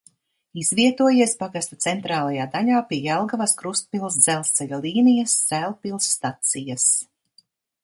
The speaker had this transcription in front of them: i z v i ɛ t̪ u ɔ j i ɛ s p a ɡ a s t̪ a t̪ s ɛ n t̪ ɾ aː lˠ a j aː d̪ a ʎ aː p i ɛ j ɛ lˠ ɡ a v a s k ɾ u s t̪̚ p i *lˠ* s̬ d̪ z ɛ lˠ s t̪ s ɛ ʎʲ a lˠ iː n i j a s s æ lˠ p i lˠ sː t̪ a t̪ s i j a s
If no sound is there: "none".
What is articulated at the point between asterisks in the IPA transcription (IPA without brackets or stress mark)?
lˠ